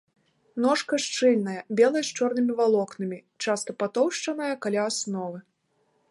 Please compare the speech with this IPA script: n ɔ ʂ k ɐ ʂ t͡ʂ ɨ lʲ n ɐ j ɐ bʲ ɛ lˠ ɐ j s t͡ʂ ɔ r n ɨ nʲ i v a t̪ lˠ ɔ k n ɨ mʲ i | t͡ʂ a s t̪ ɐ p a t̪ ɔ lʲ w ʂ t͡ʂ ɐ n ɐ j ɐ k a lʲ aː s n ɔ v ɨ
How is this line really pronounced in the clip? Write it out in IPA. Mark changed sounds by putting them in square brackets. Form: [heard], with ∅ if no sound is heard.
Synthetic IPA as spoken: n ɔ ʂ k ɐ ʂ t͡ʂ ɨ lʲ n ɐ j ɐ bʲ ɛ lˠ ɐ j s t͡ʂ ɔ r n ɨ [mʲ] i v a [∅] lˠ ɔ k n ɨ mʲ i | t͡ʂ a s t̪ ɐ p a t̪ ɔ [∅] w ʂ t͡ʂ ɐ n ɐ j ɐ k a lʲ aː s n ɔ v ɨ